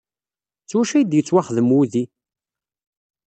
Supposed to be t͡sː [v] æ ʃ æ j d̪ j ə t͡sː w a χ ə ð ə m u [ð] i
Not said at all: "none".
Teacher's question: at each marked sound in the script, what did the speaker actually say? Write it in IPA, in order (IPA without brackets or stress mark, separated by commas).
w, ð